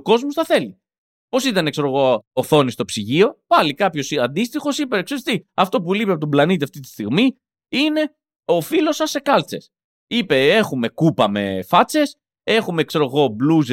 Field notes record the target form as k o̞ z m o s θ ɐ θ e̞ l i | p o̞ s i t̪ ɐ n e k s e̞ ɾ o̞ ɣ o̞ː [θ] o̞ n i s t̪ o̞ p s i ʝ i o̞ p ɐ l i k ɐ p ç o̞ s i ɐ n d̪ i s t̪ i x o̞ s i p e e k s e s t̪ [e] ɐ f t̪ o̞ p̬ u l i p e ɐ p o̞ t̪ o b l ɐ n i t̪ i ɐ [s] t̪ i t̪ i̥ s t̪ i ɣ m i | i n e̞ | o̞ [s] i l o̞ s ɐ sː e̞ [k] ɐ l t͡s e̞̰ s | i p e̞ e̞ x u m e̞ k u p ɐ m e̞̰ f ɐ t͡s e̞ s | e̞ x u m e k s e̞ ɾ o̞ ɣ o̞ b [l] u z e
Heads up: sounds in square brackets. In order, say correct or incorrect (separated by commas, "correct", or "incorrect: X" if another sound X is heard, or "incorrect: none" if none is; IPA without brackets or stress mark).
correct, incorrect: i, incorrect: f, incorrect: f, correct, correct